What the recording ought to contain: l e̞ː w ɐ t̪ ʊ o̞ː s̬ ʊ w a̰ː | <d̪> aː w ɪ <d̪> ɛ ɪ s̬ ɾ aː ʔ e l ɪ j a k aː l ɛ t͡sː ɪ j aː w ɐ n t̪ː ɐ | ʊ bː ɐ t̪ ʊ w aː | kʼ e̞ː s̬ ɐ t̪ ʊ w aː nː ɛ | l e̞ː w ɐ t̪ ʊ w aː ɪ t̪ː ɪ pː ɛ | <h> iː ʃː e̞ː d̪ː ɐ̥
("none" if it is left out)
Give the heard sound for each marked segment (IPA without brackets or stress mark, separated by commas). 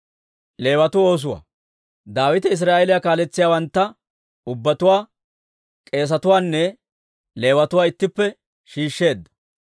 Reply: d̪, t̪, ʃ